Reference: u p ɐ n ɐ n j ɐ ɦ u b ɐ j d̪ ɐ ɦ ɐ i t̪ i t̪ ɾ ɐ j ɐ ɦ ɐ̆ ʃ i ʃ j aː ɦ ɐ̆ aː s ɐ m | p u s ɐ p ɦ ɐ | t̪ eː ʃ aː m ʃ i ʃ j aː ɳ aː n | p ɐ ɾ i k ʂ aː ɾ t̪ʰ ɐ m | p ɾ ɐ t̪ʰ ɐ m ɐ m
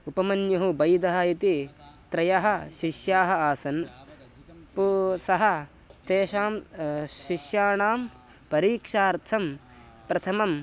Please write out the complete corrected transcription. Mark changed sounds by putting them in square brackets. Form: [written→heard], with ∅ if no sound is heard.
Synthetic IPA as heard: u p ɐ [n→m] ɐ n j ɐ ɦ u b ɐ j d̪ ɐ ɦ ɐ i t̪ i t̪ ɾ ɐ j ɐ ɦ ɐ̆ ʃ i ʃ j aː ɦ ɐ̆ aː s ɐ [m→n] | p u s ɐ [p→∅] ɦ ɐ | t̪ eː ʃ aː m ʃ i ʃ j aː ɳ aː [n→m] | p ɐ ɾ [i→iː] k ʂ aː ɾ t̪ʰ ɐ m | p ɾ ɐ t̪ʰ ɐ m ɐ m